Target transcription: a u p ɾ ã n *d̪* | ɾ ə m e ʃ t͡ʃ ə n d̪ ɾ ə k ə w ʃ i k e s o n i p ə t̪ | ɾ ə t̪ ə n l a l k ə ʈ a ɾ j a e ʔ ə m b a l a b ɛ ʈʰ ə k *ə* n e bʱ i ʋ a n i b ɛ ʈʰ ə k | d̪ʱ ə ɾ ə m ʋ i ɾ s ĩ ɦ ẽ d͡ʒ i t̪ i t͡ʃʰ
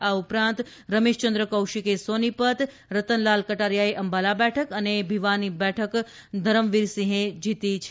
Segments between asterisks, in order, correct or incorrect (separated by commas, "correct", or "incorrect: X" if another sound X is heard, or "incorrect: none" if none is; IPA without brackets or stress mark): incorrect: t̪, correct